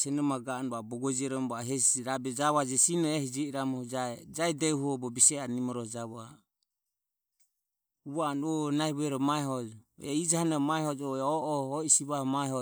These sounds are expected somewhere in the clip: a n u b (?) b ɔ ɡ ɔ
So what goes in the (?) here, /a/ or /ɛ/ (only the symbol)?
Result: a